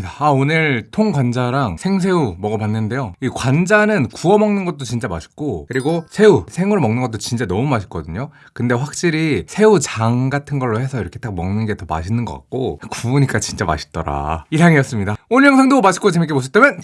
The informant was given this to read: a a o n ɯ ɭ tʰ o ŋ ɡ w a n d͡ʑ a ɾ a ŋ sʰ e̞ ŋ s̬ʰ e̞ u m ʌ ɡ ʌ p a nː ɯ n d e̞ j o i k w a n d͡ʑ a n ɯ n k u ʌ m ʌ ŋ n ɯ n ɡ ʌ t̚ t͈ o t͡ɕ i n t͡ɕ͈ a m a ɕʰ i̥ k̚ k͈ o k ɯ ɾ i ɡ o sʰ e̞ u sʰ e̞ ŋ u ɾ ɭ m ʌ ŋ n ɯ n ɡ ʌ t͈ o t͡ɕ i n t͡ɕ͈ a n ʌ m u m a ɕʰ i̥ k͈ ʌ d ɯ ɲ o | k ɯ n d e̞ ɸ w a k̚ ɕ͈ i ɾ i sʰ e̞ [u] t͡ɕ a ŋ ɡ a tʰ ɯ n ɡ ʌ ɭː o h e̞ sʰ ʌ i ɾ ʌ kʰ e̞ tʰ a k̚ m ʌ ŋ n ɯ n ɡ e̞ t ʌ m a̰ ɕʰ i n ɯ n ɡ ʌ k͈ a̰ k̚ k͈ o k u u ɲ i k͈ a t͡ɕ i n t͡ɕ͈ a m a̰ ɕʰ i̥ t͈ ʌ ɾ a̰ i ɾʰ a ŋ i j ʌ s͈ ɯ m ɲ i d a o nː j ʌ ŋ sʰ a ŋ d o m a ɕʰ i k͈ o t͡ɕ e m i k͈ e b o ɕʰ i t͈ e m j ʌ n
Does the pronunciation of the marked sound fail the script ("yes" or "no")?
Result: no